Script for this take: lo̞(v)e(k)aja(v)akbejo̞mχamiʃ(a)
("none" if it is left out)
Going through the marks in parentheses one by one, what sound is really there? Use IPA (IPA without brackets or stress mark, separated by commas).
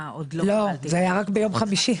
z, none, ʁ, i